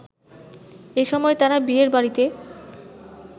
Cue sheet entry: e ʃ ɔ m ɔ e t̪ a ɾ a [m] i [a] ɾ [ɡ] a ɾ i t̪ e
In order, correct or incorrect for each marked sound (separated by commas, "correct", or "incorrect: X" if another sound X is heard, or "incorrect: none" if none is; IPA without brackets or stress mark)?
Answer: incorrect: b, incorrect: e, incorrect: b